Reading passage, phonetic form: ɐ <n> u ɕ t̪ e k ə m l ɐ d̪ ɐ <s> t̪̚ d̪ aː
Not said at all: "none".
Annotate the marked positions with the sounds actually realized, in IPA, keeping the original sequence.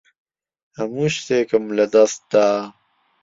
m, s

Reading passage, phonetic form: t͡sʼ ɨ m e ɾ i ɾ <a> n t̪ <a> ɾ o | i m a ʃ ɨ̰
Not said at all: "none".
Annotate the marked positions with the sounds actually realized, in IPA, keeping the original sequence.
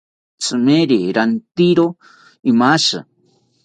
a, i

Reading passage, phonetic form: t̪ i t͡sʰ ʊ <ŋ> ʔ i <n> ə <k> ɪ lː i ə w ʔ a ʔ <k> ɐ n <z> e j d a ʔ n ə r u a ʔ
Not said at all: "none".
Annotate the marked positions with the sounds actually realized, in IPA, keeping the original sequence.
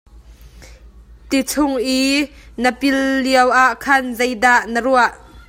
ŋ, n, p, kʰ, z

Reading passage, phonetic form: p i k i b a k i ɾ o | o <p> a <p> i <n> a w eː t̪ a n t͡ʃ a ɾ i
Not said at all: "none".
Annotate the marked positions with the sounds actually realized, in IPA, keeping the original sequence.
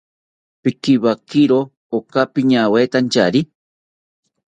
k, p, ɲ

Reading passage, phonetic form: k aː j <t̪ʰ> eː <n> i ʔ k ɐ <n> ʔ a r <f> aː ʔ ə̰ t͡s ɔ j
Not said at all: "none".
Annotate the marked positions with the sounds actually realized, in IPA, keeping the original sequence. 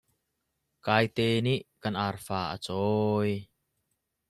t̪, n, n, f

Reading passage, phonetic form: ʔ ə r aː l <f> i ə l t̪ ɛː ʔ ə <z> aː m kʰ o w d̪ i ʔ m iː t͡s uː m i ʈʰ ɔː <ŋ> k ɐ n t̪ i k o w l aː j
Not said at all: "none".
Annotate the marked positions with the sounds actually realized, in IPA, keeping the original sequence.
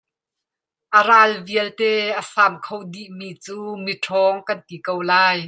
v, s, ŋ

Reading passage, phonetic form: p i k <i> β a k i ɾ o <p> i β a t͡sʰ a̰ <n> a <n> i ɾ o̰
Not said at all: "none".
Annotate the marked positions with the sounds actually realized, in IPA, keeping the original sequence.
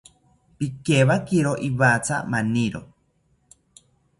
e, ʔ, m, n

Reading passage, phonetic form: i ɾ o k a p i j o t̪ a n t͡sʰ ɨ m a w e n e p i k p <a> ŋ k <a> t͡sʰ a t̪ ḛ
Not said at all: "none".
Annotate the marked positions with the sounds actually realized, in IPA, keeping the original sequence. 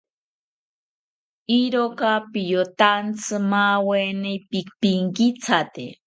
i, i

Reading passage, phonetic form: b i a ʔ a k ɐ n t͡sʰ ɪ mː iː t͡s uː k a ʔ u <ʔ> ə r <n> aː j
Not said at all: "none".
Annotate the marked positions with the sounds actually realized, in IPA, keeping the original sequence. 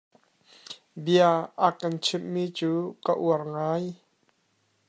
none, ŋ

